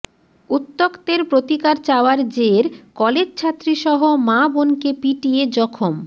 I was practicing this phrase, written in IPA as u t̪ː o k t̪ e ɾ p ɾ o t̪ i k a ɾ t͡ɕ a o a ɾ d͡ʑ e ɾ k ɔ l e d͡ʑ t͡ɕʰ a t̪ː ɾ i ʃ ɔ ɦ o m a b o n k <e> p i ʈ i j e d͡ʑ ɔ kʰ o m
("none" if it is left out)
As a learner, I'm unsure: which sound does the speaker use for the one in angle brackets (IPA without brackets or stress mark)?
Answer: e